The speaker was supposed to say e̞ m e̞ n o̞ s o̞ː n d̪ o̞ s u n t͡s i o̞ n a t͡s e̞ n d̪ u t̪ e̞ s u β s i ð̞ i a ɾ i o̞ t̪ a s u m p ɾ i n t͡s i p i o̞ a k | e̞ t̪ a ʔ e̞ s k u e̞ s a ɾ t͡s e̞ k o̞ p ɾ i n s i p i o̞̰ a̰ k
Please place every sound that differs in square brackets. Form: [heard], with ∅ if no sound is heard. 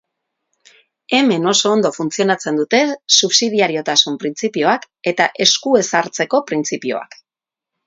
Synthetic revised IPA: e̞ m e̞ n o̞ s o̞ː n d̪ o̞ [f] u n t͡s i o̞ n a t͡s e̞ n d̪ u t̪ e̞ s u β s i ð̞ i a ɾ i o̞ t̪ a s u m p ɾ i n t͡s i p i o̞ a k | e̞ t̪ a ʔ e̞ s k u e̞ s a ɾ t͡s e̞ k o̞ p ɾ i n [t͡s] i p i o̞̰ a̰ k